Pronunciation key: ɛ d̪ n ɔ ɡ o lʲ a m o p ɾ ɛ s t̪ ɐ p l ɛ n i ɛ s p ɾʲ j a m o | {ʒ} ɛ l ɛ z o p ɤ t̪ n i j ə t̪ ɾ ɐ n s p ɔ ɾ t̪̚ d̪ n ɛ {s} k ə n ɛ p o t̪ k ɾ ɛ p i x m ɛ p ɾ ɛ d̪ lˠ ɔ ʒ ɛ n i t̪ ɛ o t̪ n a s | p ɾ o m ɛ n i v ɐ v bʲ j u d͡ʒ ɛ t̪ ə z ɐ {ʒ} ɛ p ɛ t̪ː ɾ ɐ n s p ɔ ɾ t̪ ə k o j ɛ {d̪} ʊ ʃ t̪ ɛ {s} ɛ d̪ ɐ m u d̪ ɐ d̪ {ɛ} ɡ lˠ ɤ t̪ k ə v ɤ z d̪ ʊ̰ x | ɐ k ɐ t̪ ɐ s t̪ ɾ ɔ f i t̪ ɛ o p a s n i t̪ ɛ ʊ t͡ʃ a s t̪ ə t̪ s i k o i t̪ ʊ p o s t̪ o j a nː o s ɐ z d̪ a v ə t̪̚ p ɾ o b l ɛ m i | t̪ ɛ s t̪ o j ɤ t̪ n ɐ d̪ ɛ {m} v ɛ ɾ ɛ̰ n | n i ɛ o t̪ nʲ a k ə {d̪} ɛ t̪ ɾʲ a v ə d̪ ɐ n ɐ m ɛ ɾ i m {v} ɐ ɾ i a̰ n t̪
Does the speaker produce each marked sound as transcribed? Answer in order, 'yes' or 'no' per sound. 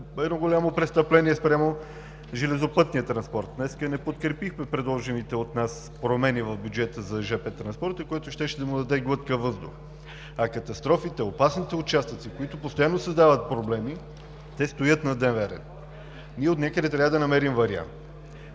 yes, yes, yes, no, no, yes, no, yes, yes

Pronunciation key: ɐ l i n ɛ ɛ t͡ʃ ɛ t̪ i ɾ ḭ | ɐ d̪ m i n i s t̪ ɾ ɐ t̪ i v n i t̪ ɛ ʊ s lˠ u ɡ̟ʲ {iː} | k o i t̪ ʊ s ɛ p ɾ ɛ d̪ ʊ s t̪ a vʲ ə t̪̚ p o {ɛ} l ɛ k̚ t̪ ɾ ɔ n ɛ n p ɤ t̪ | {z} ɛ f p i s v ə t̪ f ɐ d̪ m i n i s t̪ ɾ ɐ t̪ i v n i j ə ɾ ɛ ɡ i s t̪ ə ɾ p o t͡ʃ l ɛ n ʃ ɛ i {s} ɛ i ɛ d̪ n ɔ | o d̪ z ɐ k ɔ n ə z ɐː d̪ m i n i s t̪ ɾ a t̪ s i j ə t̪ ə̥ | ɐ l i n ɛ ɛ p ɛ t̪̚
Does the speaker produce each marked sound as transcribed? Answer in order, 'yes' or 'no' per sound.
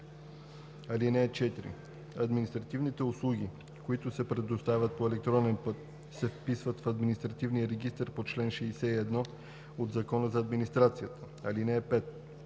no, yes, no, yes

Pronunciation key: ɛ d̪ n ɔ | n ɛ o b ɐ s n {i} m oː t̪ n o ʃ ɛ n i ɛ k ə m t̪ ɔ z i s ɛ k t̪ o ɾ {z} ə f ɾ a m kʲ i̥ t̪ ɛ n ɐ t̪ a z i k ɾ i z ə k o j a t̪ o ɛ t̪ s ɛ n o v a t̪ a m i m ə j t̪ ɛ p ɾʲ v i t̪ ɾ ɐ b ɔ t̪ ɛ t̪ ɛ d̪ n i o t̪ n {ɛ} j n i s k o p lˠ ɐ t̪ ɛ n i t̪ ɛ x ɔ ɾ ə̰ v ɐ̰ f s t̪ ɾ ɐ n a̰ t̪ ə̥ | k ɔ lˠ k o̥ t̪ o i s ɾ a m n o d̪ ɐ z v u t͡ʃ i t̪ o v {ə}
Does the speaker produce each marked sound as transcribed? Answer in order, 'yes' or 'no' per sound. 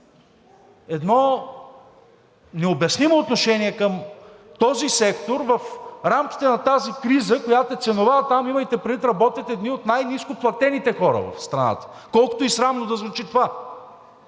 yes, no, no, no

